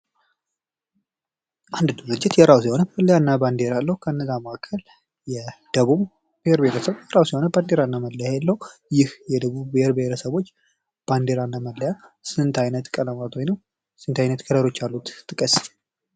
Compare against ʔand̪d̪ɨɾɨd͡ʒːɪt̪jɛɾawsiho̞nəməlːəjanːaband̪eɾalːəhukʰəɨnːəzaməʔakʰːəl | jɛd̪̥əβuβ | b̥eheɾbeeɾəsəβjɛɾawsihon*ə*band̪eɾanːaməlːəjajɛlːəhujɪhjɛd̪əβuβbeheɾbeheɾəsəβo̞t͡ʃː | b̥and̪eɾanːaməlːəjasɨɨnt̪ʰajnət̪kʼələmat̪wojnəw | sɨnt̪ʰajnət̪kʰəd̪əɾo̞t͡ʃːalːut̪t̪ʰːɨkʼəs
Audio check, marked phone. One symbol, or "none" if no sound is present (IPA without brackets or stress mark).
ə